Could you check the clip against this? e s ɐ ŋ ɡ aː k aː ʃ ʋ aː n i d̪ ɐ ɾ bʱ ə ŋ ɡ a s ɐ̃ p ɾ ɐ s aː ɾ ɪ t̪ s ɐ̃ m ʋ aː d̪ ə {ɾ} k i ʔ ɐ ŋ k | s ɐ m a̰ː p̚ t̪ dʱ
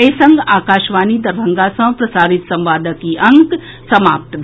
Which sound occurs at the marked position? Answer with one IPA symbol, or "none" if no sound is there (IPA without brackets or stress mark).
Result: none